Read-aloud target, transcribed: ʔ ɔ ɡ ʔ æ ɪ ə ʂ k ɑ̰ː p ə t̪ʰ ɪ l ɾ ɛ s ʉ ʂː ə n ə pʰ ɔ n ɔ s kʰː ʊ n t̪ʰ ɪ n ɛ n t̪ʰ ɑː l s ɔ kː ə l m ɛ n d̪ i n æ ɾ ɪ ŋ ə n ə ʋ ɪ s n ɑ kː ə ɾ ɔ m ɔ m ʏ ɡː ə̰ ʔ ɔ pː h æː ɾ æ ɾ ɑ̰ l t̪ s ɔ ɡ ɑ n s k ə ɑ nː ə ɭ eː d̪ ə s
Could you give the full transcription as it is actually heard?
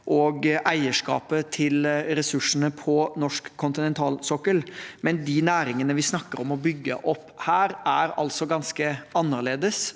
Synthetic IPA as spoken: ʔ ɔ ɡ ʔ æ ɪ ə ʂ k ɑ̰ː p ə t̪ʰ ɪ l ɾ ɛ s ʉ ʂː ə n ə pʰ ɔ n ɔ ʂ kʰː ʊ n t̪ ɪ n ɛ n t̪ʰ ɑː l s ɔ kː ə l m ɛ n d̪ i n æː ɾ ɪ ŋ ə n ə ʋ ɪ s n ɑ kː ə ɾ ɔ m ɔ b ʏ ɡː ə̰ ʔ ɔ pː h æː ɾ æ ɾ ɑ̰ l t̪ s ɔ ɡ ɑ n s k ə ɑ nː ə ɭ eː d̪ ə s